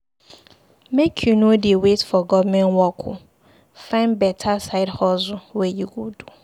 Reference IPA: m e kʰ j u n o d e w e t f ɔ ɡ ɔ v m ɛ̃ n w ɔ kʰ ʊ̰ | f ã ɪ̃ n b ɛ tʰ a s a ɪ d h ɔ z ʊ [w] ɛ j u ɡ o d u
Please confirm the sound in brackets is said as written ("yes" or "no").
yes